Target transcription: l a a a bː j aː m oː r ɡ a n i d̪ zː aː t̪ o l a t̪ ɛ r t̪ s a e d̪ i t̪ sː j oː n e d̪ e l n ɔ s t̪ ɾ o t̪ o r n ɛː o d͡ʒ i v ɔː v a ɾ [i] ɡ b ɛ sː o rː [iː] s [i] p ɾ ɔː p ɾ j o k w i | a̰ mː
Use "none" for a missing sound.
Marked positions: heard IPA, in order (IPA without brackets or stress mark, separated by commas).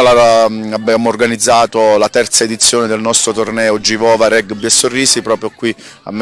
ɛ, iː, i